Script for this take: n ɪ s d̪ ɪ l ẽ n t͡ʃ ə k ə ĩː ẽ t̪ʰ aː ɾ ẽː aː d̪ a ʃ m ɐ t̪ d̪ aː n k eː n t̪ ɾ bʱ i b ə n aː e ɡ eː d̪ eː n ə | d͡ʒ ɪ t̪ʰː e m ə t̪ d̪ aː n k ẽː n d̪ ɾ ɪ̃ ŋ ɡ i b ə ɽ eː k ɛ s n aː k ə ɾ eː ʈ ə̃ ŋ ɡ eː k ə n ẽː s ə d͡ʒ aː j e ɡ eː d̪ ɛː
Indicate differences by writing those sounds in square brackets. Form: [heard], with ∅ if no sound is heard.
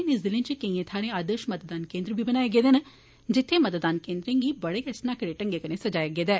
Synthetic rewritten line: n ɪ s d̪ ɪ l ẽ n t͡ʃ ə k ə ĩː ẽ t̪ʰ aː ɾ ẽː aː d̪ [ə] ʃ m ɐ t̪ d̪ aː n k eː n [d̪] ɾ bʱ i b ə n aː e ɡ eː d̪ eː n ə | d͡ʒ ɪ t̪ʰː e m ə t̪ d̪ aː n k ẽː n d̪ ɾ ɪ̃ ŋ ɡ i b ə ɽ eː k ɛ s n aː k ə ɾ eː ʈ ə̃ ŋ ɡ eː k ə n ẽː s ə d͡ʒ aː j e ɡ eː d̪ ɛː